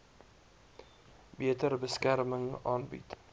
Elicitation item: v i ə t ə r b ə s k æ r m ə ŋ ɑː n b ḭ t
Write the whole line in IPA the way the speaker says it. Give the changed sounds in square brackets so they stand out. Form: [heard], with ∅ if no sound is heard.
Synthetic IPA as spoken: [b] i ə t ə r b ə s k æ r m ə ŋ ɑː n b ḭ t